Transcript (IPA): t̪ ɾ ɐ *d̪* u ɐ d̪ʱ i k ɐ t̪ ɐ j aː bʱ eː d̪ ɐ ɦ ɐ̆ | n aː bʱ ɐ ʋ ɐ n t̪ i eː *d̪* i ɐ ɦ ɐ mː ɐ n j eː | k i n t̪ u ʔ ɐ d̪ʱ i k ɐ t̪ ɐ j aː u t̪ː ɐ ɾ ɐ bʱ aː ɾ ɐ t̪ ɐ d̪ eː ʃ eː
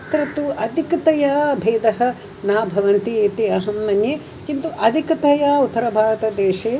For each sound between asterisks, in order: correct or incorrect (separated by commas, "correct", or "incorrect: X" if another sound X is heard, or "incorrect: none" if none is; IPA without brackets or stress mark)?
incorrect: t̪, incorrect: t̪